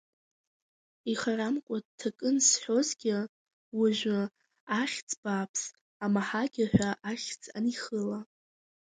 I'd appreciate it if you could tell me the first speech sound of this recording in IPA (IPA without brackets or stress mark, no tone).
i